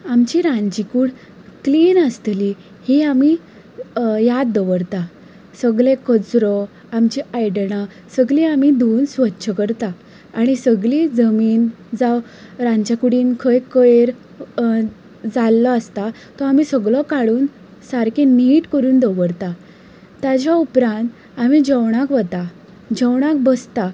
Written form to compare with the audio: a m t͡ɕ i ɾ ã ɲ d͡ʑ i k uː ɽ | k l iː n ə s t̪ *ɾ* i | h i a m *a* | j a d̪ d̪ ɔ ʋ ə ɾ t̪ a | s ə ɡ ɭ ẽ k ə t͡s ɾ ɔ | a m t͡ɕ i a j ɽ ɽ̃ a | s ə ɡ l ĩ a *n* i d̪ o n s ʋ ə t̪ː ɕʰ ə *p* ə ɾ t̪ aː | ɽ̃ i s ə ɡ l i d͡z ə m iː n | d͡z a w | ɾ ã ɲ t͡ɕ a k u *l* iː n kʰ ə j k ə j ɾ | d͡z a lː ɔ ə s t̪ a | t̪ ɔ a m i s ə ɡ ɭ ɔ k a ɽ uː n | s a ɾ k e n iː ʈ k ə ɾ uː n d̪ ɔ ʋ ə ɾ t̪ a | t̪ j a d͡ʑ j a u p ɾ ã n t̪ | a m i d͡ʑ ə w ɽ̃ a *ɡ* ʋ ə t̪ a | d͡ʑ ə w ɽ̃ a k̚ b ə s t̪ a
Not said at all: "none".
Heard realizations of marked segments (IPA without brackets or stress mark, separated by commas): l, i, m, k, ɽ, k